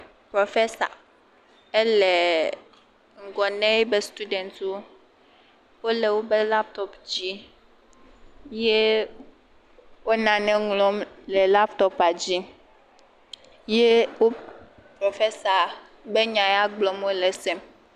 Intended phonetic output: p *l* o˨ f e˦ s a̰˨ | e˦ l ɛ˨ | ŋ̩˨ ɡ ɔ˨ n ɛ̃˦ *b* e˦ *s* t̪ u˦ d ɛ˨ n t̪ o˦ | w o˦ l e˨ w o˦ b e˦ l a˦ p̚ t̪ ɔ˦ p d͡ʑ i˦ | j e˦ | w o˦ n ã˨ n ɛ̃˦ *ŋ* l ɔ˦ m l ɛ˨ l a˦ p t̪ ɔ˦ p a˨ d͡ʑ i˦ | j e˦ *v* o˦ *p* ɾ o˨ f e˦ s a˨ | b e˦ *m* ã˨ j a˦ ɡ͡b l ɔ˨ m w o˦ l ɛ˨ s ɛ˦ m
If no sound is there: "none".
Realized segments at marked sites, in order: ɾ, b, s, ŋ, w, p, ɲ

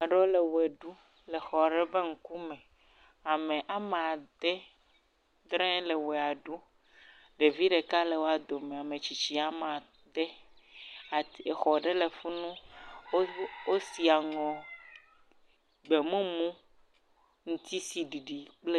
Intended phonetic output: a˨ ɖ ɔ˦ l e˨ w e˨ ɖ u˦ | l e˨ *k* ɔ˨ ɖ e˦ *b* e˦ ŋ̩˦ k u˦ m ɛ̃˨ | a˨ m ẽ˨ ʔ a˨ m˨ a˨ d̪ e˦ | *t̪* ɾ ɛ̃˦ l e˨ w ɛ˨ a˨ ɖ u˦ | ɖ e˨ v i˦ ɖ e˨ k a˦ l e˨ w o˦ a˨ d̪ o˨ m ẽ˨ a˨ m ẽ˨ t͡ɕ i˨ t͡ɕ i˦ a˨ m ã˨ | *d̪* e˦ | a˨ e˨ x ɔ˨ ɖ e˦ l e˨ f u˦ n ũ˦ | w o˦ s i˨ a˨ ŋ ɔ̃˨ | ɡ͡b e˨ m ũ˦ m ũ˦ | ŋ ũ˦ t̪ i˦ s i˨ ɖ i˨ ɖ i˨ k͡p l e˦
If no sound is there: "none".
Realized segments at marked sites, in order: x, b, d̪, d̪

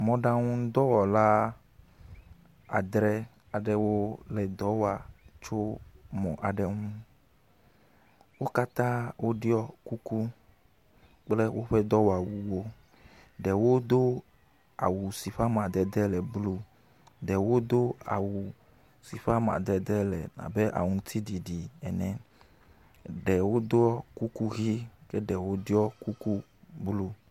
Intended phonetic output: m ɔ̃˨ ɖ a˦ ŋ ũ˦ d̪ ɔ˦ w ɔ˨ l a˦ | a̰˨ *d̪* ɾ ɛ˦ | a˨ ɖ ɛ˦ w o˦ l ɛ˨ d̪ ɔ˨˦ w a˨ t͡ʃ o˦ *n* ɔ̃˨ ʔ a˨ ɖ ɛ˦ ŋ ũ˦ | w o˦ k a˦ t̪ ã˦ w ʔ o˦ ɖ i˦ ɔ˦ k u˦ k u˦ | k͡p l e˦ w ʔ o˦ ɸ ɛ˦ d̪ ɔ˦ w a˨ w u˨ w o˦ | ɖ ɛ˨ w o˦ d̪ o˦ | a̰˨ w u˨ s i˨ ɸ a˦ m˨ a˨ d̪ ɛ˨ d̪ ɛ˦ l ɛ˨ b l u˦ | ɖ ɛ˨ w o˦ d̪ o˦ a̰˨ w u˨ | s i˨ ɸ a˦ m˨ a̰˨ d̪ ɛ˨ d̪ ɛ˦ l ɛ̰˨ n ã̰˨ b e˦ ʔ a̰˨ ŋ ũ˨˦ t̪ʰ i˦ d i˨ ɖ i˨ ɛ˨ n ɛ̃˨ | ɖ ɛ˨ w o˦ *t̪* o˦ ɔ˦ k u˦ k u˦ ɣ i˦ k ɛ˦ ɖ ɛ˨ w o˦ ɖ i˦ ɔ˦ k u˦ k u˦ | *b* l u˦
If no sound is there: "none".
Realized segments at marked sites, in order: d̪, m, d̪, b

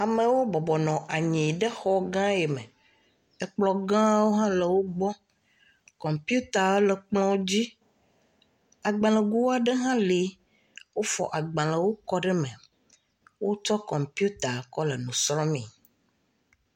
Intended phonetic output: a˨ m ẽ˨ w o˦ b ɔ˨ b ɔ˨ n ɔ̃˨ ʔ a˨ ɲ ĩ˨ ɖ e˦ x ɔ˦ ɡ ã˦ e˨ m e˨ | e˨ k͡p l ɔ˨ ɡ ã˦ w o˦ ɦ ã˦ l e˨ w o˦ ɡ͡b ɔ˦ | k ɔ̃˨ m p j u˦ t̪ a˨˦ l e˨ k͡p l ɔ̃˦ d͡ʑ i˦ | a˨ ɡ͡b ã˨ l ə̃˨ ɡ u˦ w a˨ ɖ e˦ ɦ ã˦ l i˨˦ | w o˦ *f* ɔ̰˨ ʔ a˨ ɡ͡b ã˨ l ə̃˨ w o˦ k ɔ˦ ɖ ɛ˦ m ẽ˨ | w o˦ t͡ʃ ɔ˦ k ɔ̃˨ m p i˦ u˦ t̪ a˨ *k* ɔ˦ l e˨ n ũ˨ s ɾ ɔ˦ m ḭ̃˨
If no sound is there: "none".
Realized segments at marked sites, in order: f, k

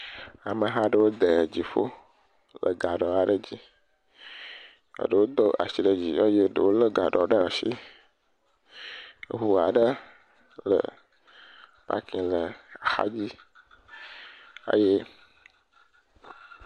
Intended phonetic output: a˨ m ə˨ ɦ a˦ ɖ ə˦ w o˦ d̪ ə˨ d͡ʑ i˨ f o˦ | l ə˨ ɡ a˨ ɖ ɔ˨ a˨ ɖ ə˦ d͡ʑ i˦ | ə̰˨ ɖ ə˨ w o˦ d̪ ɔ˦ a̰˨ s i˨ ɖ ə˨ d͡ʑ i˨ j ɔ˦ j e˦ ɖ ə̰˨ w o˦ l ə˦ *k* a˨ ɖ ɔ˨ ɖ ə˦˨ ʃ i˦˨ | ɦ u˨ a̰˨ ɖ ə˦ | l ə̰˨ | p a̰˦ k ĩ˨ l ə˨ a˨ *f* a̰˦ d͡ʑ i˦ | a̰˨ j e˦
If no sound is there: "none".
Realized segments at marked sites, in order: ɡ, x

